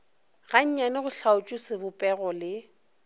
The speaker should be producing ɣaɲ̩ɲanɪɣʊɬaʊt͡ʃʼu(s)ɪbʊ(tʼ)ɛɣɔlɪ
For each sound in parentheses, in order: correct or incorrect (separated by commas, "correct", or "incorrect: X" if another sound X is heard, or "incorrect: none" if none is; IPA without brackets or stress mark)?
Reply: correct, incorrect: pʼ